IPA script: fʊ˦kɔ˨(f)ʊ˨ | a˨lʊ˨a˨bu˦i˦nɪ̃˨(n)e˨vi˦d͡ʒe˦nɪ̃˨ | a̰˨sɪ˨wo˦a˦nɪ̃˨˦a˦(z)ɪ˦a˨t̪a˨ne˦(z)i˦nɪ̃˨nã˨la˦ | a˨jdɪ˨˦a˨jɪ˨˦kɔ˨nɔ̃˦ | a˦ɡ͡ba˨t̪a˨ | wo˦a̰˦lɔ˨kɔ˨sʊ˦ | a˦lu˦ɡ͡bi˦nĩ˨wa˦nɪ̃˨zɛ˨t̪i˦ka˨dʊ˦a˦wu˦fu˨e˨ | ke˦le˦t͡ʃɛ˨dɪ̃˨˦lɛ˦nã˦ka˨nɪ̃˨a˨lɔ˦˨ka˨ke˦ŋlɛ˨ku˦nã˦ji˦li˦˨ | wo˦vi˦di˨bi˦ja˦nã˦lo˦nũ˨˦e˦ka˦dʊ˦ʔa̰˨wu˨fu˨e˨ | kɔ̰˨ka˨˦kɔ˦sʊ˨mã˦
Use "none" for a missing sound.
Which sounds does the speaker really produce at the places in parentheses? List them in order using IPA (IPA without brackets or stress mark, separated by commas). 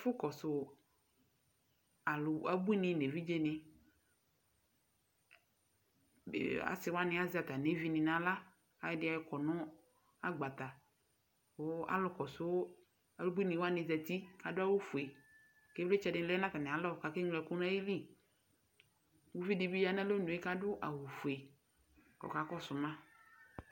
s, n, z, v